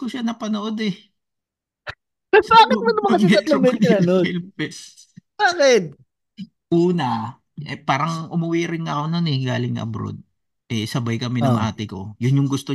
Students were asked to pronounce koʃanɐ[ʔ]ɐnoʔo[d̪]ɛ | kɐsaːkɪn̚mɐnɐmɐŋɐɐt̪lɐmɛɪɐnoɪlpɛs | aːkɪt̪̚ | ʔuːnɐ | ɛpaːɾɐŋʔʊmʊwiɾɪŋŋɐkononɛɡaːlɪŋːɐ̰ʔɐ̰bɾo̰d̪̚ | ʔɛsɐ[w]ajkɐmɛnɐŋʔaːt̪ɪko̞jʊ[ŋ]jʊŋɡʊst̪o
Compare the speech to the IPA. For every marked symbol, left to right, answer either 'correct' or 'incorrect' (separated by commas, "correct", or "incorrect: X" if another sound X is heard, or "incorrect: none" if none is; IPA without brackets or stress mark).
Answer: incorrect: p, correct, incorrect: b, incorrect: n